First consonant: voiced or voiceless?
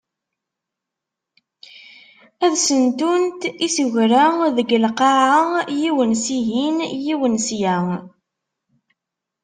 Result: voiced